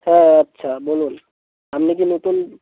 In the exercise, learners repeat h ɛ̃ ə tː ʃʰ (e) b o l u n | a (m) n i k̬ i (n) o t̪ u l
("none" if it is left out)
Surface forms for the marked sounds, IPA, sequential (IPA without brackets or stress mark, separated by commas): a, m, n